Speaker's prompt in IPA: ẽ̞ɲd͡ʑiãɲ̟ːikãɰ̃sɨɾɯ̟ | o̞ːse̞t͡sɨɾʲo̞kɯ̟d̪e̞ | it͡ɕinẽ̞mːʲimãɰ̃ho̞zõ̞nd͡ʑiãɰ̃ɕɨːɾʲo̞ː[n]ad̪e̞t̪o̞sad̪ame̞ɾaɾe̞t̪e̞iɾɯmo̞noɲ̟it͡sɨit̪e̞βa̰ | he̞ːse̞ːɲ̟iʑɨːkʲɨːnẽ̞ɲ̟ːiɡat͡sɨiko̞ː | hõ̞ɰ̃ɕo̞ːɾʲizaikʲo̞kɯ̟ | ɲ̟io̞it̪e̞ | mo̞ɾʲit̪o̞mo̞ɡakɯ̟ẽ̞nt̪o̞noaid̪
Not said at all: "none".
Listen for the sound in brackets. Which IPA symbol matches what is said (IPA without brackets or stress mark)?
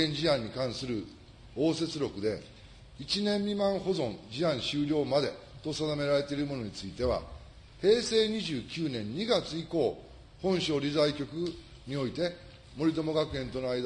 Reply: m